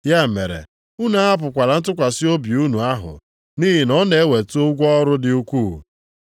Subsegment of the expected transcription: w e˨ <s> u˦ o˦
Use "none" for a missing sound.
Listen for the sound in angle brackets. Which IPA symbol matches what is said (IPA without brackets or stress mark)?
t